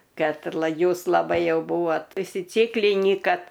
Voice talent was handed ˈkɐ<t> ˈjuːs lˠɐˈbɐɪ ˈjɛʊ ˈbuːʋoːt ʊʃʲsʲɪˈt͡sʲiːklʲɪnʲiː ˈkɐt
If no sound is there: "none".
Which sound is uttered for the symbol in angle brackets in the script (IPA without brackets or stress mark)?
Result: t